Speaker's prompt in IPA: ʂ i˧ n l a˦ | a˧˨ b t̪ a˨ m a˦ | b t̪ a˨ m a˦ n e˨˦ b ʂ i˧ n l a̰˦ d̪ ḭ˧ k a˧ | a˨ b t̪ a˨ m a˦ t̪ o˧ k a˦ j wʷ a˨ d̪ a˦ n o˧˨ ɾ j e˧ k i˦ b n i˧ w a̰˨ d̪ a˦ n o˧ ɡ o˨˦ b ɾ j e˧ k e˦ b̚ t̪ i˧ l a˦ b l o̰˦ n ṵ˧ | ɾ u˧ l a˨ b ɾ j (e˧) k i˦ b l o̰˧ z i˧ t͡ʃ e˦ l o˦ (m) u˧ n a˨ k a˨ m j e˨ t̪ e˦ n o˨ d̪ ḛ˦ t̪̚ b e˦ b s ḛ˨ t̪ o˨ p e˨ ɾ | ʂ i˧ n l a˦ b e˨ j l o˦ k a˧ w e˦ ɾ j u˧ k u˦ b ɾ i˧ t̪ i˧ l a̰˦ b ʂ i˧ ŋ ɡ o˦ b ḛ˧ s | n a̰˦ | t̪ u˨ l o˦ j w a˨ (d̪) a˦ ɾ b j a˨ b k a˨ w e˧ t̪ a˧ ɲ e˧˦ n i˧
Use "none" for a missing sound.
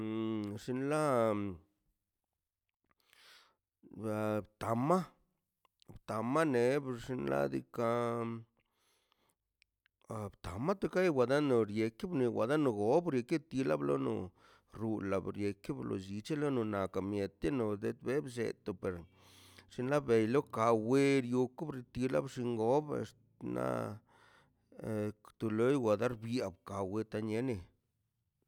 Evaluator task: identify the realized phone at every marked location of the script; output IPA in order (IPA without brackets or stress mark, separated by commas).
e˧, n, d̪